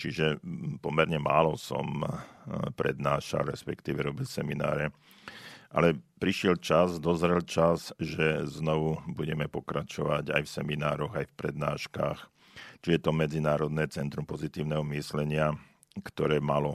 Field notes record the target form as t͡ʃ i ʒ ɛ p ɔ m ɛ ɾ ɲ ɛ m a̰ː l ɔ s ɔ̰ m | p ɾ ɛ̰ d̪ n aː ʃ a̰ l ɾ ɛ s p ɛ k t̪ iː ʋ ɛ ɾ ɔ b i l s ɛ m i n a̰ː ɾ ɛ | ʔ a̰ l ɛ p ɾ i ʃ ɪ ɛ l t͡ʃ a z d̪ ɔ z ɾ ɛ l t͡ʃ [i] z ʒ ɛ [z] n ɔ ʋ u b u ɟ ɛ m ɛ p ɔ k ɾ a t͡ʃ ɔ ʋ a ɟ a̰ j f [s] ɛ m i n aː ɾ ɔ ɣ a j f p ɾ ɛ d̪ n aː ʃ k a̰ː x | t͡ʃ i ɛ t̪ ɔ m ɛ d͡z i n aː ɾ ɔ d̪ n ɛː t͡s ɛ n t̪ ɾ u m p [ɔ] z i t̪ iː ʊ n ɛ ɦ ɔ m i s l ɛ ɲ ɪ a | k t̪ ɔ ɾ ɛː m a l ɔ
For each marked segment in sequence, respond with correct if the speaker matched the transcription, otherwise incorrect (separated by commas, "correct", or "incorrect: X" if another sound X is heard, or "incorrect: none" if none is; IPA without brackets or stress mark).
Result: incorrect: a, correct, correct, correct